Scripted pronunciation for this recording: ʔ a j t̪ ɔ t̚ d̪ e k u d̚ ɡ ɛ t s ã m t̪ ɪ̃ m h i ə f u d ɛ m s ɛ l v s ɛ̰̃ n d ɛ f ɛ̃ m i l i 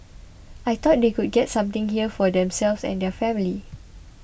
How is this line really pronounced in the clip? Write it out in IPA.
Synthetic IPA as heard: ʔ a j t̪ ɔ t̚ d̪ e k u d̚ ɡ ɛ t s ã m t̪ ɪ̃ ŋ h i ə f ɔ d ɛ̃ m s ɛ l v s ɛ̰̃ n d ɛ f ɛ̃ m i l i